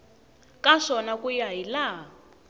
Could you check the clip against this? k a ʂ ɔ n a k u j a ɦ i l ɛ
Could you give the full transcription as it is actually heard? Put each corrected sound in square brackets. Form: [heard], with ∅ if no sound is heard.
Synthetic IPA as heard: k a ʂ ɔ n a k u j a ɦ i l [a]